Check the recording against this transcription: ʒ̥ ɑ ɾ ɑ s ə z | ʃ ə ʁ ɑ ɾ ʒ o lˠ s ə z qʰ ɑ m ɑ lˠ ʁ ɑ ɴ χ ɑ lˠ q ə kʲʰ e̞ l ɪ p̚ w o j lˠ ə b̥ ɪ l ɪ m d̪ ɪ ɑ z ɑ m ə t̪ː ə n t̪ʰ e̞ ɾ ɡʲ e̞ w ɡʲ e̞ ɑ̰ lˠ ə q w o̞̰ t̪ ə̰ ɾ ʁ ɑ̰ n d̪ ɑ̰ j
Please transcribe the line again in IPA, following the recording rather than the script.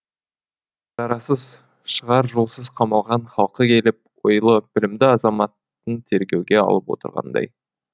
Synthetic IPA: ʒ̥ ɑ ɾ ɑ s ə z | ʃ ə ʁ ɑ ɾ ʒ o lˠ s ə z qʰ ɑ m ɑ lˠ ʁ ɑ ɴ χ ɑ lˠ q ə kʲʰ e̞ l ɪ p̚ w o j lˠ ə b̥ ɪ l ɪ m d̪ ɪ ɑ z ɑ m ɑ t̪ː ə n t̪ʰ e̞ ɾ ɡʲ e̞ w ɡʲ e̞ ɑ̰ lˠ ə p w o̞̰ t̪ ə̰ ɾ ʁ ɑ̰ n d̪ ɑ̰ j